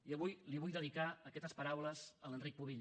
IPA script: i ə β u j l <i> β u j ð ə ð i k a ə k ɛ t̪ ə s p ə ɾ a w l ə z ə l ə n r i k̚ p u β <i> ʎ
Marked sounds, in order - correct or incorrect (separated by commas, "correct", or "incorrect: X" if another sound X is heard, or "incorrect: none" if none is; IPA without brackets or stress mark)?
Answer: correct, correct